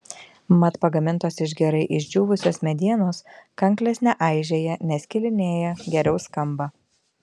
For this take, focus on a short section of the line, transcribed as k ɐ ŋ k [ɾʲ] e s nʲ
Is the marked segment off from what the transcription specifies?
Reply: yes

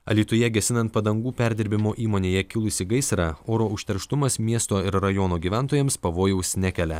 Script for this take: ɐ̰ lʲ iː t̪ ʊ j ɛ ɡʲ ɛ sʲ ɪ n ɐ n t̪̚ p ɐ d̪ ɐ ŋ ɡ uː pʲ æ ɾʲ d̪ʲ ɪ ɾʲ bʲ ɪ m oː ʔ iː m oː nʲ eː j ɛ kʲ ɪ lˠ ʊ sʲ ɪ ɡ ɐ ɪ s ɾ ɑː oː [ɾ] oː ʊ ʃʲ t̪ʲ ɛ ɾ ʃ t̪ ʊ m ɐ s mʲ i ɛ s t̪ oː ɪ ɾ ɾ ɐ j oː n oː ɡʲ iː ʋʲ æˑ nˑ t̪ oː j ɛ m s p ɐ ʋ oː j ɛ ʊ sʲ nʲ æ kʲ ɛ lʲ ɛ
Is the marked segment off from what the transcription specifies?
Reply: no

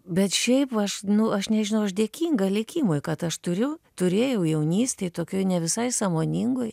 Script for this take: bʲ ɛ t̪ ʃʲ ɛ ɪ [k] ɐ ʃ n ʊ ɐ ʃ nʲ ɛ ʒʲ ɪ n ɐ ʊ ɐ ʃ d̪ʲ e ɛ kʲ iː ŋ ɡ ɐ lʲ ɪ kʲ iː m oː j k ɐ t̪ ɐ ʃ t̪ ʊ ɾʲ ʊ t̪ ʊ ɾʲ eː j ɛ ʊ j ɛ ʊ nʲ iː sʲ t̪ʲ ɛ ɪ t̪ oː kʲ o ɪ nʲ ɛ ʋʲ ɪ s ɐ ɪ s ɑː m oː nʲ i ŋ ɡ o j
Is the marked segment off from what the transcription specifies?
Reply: yes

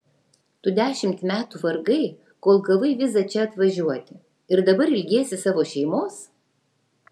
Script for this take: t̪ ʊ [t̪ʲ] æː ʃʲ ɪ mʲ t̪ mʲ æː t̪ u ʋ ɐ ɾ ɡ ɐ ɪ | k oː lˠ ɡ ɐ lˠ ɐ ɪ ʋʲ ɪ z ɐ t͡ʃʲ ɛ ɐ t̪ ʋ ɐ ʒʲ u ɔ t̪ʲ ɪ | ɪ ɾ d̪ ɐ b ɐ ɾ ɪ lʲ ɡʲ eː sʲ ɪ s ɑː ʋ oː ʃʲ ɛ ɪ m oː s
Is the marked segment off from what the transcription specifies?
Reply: yes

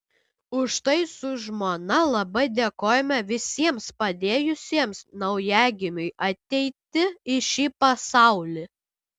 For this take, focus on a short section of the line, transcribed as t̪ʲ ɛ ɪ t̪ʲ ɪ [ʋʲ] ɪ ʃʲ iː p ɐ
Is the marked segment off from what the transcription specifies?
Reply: yes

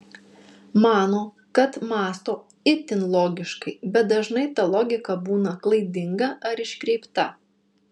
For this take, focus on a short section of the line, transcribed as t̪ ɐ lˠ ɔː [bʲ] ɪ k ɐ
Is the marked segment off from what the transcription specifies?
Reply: yes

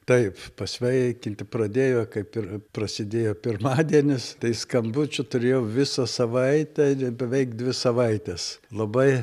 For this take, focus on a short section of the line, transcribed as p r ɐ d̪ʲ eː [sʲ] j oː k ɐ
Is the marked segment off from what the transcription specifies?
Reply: yes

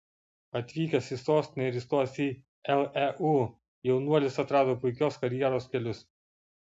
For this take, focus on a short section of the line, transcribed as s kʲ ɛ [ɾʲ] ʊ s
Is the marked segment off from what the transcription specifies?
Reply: yes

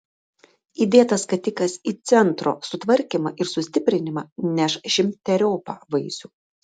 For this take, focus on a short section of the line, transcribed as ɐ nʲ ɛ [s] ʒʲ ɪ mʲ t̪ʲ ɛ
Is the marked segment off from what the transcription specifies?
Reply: yes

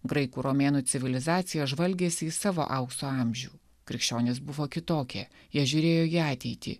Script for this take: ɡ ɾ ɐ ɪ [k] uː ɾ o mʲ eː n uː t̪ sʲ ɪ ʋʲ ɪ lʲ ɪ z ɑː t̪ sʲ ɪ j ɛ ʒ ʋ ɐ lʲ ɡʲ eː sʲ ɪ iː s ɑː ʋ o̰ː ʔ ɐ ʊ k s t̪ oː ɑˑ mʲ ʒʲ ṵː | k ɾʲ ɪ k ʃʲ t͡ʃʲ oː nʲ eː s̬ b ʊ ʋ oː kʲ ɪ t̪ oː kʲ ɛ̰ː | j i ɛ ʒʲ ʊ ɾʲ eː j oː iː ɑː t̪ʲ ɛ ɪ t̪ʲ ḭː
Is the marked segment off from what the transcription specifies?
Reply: no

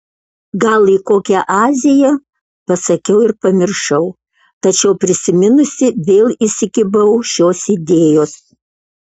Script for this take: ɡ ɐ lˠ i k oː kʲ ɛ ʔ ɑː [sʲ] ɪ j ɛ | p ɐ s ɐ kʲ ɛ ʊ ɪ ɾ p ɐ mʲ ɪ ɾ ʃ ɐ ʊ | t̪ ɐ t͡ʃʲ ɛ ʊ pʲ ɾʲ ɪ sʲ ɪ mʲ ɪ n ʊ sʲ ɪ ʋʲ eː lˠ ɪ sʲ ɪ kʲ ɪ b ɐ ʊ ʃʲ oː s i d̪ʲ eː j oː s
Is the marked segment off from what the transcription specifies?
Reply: yes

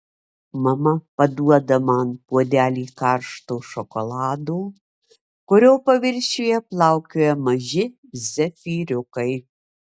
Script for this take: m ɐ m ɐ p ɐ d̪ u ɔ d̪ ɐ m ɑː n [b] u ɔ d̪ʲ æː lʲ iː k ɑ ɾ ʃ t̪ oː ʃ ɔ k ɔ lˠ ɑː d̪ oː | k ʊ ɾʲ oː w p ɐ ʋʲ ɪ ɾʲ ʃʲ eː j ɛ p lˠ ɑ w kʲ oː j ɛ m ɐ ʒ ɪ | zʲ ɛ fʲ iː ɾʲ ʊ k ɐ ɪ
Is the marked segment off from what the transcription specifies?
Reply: yes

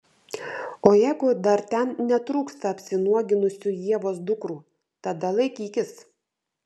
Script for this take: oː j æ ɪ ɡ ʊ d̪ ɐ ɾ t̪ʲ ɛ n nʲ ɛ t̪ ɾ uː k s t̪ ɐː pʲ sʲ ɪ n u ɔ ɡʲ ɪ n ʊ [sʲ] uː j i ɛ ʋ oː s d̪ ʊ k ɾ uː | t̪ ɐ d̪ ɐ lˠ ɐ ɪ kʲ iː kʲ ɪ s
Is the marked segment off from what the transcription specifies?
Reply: no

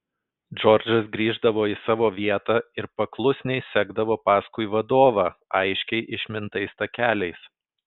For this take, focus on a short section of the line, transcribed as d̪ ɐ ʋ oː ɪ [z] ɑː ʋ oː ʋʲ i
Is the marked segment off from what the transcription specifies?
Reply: yes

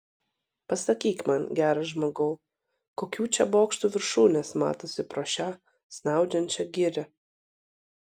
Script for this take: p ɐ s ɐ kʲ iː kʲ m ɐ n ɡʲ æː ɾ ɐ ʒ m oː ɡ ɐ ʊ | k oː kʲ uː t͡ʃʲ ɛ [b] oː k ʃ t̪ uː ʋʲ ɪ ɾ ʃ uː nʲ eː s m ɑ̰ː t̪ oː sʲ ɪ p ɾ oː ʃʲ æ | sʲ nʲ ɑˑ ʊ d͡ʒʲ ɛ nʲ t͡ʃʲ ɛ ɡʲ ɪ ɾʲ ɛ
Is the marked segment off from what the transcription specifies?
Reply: no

